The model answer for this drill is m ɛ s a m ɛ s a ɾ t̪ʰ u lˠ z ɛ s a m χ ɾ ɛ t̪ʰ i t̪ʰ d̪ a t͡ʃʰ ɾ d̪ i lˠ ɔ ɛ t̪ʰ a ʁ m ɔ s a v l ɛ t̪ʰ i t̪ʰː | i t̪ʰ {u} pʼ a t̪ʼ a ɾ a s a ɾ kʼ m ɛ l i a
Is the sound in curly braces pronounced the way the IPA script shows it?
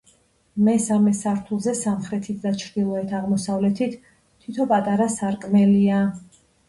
no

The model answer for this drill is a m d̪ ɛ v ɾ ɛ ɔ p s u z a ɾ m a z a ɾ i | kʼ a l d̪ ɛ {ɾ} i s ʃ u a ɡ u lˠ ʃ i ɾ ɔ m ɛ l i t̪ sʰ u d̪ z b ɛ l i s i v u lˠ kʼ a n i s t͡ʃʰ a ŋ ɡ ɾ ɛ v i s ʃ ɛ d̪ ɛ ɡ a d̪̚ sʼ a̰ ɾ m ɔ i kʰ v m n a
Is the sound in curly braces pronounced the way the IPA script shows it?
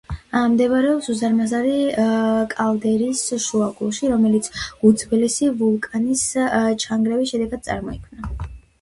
yes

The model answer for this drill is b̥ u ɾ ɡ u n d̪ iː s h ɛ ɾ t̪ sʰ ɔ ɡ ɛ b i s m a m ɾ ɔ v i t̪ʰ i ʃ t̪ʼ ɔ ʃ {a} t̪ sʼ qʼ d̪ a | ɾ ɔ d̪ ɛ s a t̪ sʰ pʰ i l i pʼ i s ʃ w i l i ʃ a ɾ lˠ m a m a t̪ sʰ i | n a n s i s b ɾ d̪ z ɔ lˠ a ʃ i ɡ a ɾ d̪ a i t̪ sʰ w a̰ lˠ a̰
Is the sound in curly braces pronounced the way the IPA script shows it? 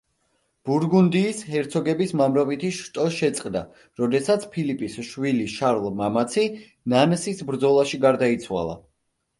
no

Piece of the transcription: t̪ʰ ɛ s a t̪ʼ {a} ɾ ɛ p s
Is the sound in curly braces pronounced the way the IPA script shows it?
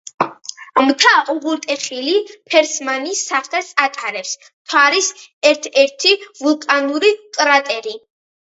yes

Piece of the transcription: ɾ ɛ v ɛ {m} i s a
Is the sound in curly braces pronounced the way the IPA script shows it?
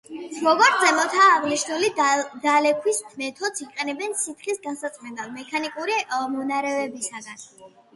no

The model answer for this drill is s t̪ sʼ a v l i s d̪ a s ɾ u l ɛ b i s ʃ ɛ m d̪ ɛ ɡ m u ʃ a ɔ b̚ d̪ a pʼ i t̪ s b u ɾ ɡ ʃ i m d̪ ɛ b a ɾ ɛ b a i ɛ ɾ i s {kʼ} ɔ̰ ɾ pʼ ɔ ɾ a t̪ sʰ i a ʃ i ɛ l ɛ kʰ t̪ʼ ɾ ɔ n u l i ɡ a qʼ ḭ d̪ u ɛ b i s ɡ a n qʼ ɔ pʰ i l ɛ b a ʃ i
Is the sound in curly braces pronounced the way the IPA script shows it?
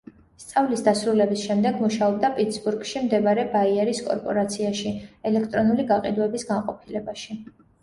yes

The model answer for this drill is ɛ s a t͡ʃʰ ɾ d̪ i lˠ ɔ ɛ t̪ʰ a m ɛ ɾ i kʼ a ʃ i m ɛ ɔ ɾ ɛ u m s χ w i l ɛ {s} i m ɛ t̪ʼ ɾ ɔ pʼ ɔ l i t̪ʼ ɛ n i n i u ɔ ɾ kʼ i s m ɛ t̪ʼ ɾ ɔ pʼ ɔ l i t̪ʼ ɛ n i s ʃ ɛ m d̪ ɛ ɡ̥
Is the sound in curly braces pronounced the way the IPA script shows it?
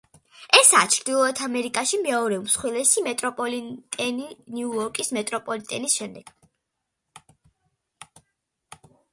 yes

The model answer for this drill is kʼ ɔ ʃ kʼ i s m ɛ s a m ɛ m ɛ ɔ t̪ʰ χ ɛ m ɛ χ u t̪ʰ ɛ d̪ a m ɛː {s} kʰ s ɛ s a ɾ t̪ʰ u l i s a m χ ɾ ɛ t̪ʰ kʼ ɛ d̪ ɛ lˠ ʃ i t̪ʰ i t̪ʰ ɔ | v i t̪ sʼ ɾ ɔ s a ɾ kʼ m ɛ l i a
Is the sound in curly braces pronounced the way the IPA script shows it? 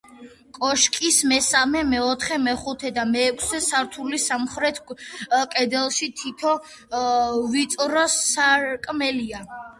no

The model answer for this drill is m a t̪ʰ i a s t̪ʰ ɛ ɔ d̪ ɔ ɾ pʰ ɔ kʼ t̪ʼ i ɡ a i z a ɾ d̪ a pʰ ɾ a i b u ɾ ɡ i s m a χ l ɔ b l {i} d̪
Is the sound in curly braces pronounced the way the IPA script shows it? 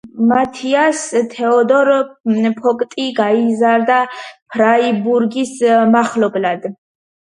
no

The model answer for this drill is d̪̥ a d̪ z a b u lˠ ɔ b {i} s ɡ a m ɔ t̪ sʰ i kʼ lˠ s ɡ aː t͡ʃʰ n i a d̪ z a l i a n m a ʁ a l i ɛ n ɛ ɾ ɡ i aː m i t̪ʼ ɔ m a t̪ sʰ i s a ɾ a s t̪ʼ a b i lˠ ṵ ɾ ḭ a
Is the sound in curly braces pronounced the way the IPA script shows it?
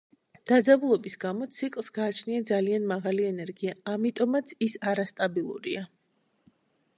yes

